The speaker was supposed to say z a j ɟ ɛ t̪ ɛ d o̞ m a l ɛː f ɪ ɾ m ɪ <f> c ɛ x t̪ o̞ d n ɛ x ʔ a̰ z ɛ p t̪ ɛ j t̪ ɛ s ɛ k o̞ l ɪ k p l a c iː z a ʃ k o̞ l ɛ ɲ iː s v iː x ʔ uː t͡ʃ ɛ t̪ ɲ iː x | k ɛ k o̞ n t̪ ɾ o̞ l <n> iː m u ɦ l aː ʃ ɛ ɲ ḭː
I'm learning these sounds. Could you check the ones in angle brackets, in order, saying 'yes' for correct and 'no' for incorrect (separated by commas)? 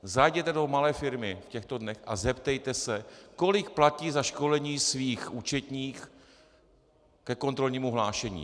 yes, no